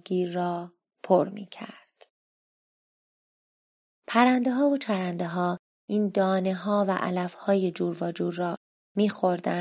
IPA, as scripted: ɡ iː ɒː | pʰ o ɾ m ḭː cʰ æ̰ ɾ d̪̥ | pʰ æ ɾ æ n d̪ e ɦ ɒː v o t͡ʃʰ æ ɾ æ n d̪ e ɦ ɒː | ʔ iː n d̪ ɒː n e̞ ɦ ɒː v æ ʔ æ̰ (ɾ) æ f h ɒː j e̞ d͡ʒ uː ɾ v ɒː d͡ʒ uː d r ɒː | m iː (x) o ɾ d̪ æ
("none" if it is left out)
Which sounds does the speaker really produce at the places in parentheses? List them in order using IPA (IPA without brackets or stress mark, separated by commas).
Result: l, x